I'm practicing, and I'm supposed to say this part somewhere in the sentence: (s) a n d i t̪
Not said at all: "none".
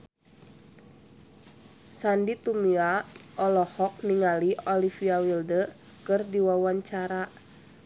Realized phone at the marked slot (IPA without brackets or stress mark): s